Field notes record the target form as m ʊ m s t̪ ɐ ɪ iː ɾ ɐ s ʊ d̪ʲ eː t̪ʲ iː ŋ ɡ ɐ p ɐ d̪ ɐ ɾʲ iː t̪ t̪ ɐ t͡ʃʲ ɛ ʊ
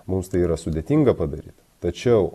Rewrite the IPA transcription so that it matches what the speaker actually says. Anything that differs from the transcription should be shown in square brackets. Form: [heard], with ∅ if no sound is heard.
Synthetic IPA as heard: m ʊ m s t̪ ɐ ɪ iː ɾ ɐ s ʊ d̪ʲ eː t̪ʲ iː ŋ ɡ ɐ p ɐ d̪ ɐ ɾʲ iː t̪ t̪ ɐ t͡ʃʲ ɛ ʊ